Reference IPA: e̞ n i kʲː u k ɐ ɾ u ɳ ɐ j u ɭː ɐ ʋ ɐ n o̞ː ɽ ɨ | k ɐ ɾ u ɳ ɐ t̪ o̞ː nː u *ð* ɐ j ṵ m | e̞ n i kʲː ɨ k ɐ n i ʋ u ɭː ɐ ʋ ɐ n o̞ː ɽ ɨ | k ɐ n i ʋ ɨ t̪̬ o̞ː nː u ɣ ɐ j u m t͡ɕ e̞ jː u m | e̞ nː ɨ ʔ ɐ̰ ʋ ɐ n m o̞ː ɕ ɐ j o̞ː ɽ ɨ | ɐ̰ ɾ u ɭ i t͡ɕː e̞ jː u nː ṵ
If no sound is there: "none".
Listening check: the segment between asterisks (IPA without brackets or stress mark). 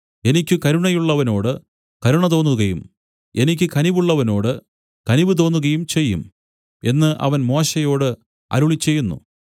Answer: ɣ